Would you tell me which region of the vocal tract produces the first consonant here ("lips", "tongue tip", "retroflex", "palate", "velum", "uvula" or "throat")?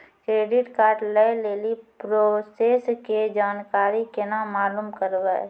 velum